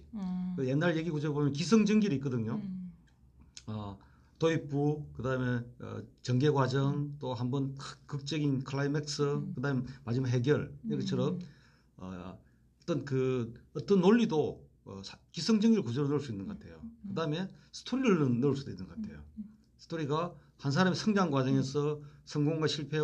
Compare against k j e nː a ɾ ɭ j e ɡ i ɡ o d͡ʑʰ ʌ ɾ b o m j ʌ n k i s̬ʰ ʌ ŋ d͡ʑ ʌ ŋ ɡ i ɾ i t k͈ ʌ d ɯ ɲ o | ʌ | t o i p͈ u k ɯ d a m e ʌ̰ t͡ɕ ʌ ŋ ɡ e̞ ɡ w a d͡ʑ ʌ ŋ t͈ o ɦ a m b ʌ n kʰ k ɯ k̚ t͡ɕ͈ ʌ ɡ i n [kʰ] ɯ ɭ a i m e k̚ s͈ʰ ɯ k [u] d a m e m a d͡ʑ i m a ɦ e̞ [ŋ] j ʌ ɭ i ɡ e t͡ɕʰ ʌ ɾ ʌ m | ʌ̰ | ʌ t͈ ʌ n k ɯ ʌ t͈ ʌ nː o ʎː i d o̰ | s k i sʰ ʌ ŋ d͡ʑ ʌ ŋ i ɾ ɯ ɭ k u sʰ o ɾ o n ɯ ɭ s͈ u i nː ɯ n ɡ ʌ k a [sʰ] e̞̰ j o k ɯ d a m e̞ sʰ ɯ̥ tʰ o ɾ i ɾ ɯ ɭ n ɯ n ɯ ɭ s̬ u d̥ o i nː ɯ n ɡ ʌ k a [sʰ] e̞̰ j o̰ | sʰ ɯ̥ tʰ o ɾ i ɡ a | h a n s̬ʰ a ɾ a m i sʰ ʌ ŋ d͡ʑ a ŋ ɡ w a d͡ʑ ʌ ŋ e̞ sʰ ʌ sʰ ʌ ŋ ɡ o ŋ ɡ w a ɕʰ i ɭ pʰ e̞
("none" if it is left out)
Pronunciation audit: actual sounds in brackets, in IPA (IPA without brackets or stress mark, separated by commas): kʰ, ɯ, ɡ, tʰ, tʰ